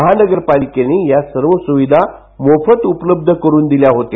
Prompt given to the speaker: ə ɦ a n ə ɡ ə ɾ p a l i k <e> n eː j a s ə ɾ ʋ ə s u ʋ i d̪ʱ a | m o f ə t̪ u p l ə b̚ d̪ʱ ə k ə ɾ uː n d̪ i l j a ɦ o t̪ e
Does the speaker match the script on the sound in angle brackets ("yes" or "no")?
yes